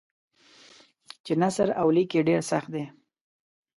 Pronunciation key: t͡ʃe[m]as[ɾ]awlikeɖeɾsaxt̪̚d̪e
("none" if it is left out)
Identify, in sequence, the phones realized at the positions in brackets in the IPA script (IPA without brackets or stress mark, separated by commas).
n, ɾ